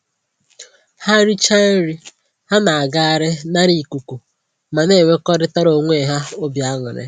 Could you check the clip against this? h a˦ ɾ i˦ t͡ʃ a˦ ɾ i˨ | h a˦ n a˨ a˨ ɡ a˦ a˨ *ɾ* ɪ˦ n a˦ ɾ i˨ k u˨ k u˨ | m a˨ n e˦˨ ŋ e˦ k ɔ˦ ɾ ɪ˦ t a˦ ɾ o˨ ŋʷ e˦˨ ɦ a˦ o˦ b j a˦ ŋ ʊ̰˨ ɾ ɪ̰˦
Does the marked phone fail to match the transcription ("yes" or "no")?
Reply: no